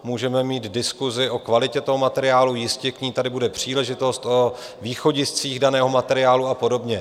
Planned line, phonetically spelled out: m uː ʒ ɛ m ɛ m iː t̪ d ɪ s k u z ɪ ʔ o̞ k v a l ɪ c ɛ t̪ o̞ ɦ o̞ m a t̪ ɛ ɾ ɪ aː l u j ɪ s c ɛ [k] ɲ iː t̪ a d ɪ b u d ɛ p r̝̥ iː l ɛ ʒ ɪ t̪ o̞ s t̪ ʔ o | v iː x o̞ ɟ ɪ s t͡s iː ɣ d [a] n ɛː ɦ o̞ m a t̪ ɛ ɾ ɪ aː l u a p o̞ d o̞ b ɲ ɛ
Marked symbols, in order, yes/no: yes, yes

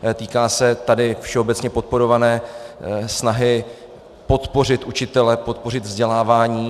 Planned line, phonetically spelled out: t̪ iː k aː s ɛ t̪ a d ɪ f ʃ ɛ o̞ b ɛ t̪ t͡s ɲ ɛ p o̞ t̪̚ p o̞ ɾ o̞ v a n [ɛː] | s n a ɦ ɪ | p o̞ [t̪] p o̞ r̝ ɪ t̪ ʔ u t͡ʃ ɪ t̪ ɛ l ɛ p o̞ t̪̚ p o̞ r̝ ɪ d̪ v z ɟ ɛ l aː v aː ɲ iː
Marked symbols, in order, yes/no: yes, yes

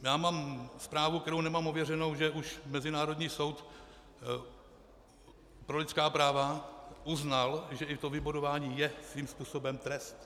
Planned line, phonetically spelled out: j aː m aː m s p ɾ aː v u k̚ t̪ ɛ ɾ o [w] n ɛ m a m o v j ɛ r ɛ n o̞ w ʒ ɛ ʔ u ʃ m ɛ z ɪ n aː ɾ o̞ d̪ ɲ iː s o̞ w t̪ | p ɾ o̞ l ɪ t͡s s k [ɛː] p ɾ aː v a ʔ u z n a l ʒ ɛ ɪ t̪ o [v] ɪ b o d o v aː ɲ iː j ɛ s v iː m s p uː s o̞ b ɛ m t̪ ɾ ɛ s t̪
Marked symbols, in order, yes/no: yes, no, yes

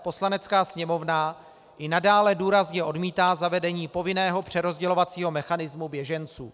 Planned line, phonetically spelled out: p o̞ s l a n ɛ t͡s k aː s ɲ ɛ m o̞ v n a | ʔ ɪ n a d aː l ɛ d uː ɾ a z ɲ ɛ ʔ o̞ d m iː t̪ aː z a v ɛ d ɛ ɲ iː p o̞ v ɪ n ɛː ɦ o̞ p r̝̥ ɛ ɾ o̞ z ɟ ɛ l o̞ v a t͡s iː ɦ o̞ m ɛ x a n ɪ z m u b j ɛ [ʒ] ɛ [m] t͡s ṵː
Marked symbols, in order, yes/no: yes, no

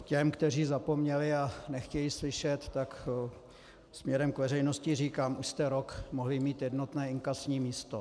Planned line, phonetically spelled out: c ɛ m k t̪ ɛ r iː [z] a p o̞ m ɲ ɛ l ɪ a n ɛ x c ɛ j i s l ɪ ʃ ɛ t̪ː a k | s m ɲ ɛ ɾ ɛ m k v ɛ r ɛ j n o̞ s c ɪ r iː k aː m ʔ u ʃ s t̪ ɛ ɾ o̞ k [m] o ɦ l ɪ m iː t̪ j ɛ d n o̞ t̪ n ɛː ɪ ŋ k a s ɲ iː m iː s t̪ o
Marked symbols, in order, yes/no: yes, yes

